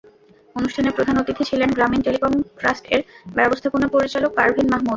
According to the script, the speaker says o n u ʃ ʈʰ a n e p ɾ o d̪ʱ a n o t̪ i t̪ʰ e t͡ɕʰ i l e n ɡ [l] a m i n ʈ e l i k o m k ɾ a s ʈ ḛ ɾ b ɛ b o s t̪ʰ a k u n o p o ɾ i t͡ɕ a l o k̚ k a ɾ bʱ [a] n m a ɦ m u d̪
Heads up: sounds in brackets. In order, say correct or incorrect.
incorrect: ɾ, incorrect: i

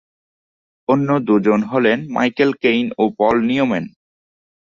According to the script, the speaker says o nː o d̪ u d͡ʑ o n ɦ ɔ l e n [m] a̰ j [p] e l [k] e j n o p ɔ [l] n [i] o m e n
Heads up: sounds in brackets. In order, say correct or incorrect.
correct, incorrect: k, correct, correct, correct

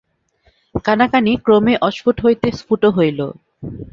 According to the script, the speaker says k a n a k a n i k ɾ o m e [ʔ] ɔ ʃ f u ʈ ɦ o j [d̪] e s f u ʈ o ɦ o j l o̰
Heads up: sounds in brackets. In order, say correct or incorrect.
correct, incorrect: t̪

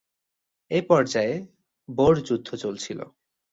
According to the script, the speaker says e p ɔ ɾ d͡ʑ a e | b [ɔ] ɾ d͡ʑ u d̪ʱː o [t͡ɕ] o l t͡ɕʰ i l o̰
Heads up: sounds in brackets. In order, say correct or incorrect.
incorrect: o, correct

